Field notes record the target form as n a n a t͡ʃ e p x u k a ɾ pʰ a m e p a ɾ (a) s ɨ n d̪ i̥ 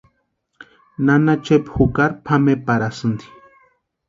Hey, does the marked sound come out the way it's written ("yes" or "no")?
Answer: yes